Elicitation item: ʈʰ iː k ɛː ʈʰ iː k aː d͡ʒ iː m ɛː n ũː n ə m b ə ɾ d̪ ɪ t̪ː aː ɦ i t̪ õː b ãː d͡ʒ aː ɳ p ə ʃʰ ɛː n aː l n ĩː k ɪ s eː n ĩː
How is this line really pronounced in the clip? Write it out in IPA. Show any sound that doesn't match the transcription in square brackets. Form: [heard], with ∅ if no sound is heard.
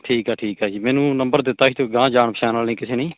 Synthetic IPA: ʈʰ iː k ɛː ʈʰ iː k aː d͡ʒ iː m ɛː n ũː n ə m b ə ɾ d̪ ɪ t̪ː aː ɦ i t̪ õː [ɡ] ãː d͡ʒ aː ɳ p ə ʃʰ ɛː n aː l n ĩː k ɪ s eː n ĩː